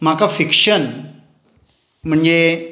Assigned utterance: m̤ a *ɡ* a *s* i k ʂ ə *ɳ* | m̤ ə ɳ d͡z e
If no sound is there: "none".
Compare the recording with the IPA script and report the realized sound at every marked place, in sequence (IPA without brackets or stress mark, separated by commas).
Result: k, f, n